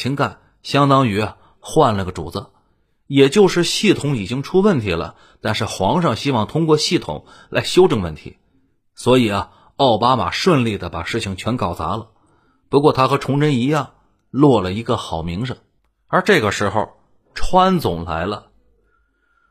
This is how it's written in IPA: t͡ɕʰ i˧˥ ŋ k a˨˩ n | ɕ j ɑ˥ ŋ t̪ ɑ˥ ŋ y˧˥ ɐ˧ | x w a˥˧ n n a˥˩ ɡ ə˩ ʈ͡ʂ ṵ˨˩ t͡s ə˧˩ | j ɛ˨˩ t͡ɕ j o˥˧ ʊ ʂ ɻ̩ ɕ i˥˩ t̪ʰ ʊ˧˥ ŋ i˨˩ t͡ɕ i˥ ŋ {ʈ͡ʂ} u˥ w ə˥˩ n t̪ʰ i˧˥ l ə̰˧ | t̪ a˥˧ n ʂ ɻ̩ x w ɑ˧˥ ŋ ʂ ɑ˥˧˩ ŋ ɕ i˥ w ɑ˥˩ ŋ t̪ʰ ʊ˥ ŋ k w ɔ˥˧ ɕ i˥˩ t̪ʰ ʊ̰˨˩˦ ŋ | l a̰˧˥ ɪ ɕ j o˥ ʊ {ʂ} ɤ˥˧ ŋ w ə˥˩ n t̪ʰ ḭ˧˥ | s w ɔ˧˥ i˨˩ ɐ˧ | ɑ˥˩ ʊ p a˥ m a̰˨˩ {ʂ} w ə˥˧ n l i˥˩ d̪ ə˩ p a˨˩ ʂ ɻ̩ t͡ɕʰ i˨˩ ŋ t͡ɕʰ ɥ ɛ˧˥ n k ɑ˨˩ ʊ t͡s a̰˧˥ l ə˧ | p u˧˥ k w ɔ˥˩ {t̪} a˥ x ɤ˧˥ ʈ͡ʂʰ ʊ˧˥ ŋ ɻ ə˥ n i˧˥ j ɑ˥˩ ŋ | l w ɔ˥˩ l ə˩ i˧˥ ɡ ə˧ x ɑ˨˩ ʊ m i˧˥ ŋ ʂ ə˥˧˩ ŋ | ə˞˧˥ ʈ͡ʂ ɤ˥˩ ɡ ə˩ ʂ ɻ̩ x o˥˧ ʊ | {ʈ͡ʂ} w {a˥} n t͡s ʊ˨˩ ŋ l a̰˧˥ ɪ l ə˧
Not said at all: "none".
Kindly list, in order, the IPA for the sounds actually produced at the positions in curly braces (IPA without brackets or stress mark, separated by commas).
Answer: ʈ͡ʂʰ, ʈ͡ʂ, ʂ, t̪ʰ, ʈ͡ʂʰ, a˥